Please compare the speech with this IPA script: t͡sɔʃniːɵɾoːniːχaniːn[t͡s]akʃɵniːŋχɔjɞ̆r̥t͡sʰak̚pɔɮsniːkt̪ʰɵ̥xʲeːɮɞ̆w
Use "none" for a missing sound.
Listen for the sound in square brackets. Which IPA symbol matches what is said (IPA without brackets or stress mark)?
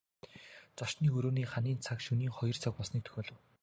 t͡sʰ